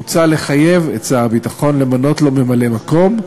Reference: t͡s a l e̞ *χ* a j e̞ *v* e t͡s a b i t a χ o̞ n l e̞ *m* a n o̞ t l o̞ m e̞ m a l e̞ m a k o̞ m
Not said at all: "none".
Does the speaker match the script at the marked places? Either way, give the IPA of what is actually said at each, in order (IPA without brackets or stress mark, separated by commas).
χ, v, m